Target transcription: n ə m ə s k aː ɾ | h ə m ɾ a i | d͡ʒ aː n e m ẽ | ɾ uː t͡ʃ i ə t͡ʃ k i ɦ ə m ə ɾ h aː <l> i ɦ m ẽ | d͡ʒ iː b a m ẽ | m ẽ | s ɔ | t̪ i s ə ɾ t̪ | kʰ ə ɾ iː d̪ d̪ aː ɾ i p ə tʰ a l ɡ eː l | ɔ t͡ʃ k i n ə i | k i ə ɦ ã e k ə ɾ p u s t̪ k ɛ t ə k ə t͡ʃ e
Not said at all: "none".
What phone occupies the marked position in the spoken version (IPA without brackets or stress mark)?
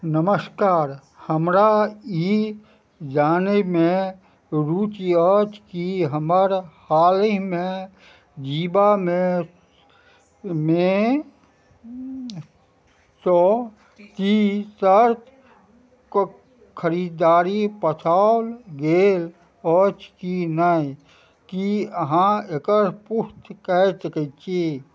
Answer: l